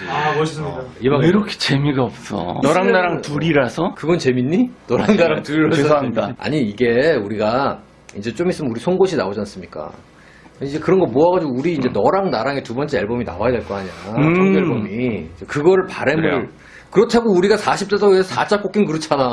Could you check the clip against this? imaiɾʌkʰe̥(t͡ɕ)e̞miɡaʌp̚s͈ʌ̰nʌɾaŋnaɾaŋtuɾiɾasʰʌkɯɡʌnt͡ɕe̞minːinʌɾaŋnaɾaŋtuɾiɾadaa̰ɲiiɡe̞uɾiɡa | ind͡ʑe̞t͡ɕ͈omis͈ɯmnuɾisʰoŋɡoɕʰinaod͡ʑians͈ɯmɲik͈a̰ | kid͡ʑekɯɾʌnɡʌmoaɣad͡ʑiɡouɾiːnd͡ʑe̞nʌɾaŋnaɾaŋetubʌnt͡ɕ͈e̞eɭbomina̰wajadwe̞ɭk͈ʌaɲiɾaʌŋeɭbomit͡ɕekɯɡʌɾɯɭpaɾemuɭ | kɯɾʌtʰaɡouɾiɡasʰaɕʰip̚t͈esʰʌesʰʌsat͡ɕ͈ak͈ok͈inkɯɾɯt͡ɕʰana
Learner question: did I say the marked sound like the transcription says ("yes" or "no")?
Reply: yes